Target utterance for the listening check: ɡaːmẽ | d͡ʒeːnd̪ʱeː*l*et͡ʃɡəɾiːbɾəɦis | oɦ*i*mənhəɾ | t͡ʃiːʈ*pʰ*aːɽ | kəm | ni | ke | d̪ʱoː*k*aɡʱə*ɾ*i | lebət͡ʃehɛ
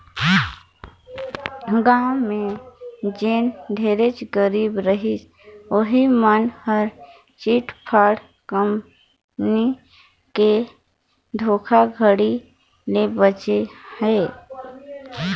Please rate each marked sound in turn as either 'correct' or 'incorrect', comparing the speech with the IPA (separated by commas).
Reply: incorrect, correct, correct, incorrect, incorrect